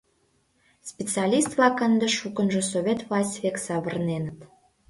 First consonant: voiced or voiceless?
voiceless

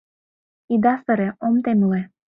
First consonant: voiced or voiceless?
voiced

